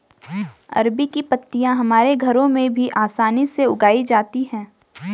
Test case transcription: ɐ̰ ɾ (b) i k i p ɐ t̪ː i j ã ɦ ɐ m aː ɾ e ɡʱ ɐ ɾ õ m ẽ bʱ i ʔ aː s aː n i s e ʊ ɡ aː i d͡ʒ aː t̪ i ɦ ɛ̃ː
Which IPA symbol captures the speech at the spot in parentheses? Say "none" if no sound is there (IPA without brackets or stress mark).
b